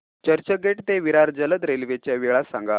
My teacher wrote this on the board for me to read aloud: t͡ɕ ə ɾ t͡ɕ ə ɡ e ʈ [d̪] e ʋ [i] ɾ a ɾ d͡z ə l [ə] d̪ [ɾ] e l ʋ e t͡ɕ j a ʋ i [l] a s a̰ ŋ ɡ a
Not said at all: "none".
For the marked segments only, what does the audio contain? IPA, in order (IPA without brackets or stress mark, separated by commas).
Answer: t̪, i, ə, ɾ, ɭ